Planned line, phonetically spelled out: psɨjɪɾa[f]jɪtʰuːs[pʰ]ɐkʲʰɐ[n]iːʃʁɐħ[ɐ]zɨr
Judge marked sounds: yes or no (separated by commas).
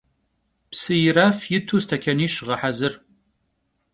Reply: yes, no, yes, no